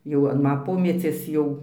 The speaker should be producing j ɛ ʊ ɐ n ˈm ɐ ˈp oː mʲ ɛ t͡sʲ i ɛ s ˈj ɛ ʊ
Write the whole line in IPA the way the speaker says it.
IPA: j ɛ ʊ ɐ n ˈm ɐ ˈp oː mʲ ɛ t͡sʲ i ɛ s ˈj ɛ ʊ

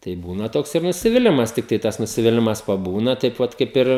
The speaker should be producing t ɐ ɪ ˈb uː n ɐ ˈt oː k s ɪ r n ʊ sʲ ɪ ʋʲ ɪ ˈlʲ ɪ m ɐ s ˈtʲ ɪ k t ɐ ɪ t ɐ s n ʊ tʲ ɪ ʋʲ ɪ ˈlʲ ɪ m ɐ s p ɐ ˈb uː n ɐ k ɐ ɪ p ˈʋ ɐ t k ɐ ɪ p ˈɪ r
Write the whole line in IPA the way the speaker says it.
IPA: t ɐ ɪ ˈb uː n ɐ ˈt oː k s ɪ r n ʊ sʲ ɪ ʋʲ ɪ ˈlʲ ɪ m ɐ s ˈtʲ ɪ k t ɐ ɪ t ɐ s n ʊ sʲ ɪ ʋʲ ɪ ˈlʲ ɪ m ɐ s p ɐ ˈb uː n ɐ t ɐ ɪ p ˈʋ ɐ t k ɐ ɪ p ˈɪ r

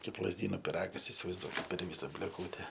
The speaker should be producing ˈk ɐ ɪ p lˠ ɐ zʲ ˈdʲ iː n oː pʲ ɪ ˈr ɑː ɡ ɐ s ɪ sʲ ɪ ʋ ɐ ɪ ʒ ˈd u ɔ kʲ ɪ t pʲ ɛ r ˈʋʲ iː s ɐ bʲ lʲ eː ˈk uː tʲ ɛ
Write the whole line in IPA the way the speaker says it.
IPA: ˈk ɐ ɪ p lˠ ɐ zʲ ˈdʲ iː n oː pʲ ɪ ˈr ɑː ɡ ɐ s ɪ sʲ ɪ ʋ ɐ ɪ z ˈd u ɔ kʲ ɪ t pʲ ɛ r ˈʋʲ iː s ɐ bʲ lʲ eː ˈk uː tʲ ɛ

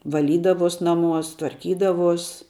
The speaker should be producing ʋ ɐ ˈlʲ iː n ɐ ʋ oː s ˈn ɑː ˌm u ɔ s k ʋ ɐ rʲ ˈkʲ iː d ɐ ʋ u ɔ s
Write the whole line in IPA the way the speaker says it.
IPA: ʋ ɐ ˈlʲ iː d ɐ ʋ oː s ˈn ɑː ˌm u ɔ s t ʋ ɐ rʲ ˈkʲ iː d ɐ ʋ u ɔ s

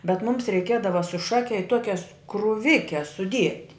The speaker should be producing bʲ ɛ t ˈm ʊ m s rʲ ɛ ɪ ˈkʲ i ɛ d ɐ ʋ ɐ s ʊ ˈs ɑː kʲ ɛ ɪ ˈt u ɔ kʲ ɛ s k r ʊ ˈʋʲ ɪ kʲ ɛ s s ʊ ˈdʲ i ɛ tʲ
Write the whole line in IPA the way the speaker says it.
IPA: bʲ ɛ t ˈm ʊ m s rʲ ɛ ɪ ˈkʲ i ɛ d ɐ ʋ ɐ s ʊ ˈʃ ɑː kʲ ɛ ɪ ˈt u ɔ kʲ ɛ s k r ʊ ˈʋʲ ɪ kʲ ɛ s s ʊ ˈdʲ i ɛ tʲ

